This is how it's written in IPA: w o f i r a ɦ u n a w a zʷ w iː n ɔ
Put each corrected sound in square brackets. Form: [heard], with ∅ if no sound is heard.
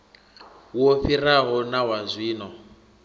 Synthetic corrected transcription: w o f i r a ɦ [ɔ] n a w a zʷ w iː n ɔ